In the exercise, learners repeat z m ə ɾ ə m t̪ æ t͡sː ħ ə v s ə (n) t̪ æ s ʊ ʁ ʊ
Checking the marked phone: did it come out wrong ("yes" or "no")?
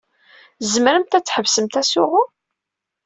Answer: yes